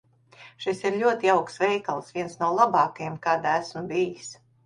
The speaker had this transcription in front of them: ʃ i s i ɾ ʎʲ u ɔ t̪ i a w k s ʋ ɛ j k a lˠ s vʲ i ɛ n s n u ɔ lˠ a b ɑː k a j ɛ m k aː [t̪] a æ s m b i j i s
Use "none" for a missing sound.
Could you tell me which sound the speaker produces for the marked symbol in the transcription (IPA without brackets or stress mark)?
d̪